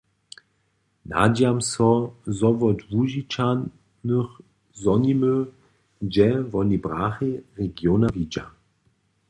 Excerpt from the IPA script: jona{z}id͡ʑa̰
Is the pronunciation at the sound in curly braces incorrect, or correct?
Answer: incorrect